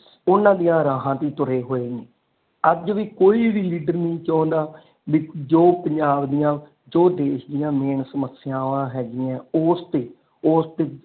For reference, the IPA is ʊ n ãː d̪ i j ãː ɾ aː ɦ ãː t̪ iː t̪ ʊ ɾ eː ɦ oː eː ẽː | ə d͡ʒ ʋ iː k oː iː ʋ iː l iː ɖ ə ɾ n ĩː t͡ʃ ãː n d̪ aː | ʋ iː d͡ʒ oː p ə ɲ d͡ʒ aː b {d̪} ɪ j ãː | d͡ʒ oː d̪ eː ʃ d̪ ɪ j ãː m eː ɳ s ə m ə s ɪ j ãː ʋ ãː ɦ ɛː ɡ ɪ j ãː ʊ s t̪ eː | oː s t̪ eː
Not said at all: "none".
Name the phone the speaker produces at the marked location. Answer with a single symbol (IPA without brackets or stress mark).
d̪